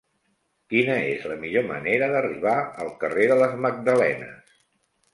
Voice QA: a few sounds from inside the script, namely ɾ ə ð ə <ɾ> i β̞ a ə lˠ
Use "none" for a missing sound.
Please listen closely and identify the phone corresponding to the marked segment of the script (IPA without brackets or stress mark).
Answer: r